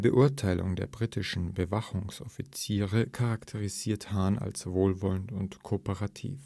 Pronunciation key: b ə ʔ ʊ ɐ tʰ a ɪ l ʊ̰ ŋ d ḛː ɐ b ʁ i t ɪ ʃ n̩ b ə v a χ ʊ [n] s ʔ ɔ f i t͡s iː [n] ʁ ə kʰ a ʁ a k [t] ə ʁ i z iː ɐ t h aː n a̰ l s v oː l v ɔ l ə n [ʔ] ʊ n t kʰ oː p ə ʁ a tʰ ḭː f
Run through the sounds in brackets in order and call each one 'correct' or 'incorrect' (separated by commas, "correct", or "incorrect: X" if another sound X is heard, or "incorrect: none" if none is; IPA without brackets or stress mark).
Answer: incorrect: ŋ, incorrect: none, incorrect: tʰ, incorrect: t